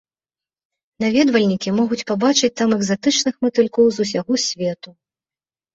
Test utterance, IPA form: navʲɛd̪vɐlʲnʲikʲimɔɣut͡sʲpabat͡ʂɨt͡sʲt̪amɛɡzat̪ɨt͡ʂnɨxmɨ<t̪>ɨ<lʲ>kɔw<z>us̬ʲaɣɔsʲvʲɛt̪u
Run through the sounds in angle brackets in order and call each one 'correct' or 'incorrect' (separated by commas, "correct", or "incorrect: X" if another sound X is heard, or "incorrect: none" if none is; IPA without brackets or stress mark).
correct, correct, correct